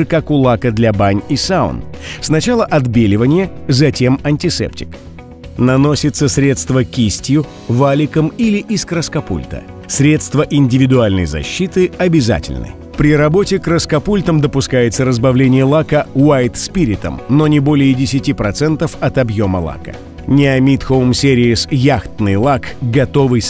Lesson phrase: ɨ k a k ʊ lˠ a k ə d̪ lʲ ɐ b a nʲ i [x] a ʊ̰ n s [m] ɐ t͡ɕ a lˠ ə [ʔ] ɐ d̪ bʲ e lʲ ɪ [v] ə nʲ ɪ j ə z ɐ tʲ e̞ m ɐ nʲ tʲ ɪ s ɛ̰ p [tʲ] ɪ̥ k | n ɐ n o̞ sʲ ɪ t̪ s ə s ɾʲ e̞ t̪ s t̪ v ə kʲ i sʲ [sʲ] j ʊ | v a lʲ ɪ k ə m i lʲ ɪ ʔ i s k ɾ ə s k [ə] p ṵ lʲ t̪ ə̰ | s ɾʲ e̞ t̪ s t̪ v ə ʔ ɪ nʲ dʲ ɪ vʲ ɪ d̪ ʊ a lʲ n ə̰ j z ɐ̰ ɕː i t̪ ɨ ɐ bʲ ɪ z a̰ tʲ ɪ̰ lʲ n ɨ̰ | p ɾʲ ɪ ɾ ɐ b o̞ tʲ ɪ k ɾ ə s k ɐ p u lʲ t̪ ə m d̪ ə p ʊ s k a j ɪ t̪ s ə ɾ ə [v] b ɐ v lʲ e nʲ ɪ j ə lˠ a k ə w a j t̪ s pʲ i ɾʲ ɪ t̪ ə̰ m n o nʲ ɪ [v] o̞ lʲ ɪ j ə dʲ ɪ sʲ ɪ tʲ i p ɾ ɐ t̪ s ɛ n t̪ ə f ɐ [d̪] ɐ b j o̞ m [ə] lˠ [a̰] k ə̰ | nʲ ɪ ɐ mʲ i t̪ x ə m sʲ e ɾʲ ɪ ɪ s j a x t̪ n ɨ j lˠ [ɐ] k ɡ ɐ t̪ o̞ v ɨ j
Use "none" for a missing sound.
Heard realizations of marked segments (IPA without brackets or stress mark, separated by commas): s, n, ʔ, v, tʲ, tʲ, ɐ, z, b, t̪, ə, a̰, a